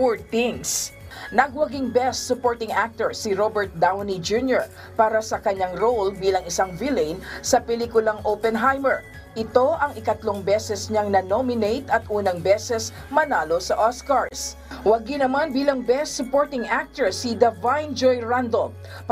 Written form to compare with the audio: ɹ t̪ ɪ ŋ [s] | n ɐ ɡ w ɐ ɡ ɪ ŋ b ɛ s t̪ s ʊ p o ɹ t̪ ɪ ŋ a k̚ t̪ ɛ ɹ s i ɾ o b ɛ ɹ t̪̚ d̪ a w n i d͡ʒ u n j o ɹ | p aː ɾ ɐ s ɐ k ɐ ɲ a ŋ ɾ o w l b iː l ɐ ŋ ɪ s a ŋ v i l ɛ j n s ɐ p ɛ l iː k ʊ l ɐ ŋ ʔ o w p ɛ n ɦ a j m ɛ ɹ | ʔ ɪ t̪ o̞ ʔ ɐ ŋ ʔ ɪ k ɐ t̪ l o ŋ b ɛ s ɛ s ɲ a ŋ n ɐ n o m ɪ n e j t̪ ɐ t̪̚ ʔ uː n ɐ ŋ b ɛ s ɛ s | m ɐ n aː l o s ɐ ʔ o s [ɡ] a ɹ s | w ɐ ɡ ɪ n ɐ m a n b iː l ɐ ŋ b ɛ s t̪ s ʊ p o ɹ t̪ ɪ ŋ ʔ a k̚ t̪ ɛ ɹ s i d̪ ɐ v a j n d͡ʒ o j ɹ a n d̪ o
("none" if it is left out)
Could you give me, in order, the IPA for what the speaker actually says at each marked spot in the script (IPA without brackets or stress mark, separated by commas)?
s, k